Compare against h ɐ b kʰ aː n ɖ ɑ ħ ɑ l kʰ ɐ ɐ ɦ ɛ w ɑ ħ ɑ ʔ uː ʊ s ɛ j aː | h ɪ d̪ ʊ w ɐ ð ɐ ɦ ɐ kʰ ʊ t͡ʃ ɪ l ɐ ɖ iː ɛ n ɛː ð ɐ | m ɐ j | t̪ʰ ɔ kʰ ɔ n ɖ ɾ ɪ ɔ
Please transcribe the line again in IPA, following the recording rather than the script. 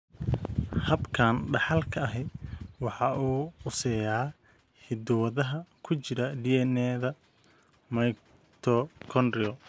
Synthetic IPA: h ɐ b kʰ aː n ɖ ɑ ħ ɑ l kʰ ɐ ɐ ɦ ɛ w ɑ ħ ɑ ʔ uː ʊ s ɛ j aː | h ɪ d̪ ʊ w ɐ ð ɐ ɦ ɐ kʰ ʊ t͡ʃ ɪ ɾ ɐ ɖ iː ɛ n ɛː ð ɐ | m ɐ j | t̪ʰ ɔ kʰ ɔ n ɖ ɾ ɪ ɔ